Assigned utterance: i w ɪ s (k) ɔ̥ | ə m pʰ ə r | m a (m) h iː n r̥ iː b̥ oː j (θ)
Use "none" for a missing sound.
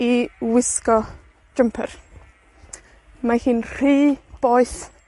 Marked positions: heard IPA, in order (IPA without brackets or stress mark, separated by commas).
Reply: k, none, θ